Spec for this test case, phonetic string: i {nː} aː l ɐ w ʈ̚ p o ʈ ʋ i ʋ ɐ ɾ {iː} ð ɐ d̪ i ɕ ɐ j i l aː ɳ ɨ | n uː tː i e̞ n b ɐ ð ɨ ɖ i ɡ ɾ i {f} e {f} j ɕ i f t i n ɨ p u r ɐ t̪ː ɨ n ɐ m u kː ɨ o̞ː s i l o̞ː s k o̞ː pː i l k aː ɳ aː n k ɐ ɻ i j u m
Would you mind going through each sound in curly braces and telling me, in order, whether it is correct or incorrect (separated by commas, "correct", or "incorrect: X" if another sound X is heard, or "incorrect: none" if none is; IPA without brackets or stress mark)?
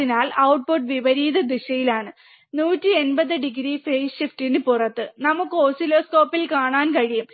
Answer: incorrect: n, correct, correct, incorrect: none